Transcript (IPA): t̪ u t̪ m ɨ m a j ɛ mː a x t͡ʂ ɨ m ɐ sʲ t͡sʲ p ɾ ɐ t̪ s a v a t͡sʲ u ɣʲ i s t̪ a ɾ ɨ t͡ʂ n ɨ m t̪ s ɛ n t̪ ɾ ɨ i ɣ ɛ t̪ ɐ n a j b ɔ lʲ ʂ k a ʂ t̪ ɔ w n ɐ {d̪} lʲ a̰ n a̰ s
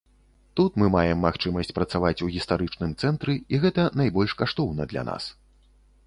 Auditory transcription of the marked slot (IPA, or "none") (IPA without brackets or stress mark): d̪